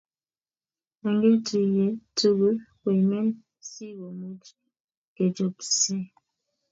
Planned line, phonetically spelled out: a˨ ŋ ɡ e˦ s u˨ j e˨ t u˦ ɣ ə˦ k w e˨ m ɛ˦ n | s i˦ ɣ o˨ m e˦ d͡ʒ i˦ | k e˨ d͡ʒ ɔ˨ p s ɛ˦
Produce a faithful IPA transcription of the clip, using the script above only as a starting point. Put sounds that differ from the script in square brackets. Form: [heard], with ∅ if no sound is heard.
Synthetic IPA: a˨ ŋ ɡ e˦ [t] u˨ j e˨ t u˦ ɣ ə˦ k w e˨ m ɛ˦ n | s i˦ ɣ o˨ m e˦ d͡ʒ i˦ | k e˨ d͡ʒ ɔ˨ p s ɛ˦